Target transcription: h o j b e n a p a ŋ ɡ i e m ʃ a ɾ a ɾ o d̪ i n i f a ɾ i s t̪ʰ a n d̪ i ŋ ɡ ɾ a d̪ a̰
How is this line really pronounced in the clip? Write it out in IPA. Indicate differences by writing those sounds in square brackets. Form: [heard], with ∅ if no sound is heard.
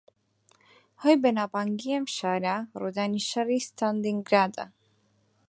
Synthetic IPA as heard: h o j b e n a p a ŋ ɡ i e m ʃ a ɾ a ɾ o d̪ [a] n i [ʃ] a ɾ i s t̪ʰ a n d̪ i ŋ ɡ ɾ a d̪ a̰